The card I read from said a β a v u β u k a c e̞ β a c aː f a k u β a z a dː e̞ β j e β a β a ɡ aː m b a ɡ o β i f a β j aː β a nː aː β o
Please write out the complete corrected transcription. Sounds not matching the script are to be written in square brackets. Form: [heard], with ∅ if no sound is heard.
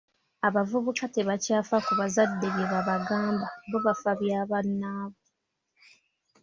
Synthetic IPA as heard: a β a v u β u k a [t] e̞ β a c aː f a k u β a z a dː e̞ β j e β a β a ɡ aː m b a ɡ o β [a] f a β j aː β a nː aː β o